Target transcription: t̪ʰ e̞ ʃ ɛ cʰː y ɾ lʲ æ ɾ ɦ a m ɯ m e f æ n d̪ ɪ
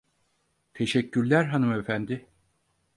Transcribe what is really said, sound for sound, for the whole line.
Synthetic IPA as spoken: t̪ʰ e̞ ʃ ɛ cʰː y ɾ lʲ æ ɾ ɦ a n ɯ m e f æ n d̪ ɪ